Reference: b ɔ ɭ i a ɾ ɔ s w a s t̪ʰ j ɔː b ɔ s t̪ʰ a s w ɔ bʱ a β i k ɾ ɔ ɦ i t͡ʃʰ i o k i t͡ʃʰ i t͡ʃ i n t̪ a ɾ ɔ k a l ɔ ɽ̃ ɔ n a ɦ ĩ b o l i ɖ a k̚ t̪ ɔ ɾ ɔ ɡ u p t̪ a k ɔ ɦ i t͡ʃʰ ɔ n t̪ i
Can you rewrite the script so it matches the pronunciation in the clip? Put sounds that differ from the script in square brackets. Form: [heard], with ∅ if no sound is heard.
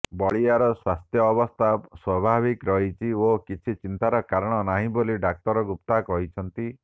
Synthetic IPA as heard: b ɔ ɭ i a ɾ ɔ s w a s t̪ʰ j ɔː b ɔ s t̪ʰ a s w ɔ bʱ a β i k ɾ ɔ ɦ i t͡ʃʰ i o k i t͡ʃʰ i t͡ʃ i n t̪ a ɾ ɔ k a [ɾ] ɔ ɽ̃ ɔ n a ɦ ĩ b o l i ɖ a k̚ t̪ ɔ ɾ ɔ ɡ u p t̪ a k ɔ ɦ i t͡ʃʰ ɔ n t̪ i